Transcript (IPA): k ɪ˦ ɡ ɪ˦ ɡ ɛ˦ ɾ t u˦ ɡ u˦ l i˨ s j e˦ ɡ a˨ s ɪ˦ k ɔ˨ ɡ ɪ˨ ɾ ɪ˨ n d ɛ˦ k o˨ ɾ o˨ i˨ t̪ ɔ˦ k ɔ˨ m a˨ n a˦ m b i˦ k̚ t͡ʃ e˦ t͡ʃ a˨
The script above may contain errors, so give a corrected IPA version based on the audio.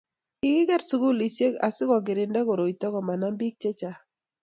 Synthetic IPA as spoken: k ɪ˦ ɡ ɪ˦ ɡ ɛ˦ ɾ s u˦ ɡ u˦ l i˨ s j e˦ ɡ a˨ s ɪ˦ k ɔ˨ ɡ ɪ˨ ɾ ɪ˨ n d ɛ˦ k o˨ ɾ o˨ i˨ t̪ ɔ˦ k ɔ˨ m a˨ n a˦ m b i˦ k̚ t͡ʃ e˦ t͡ʃ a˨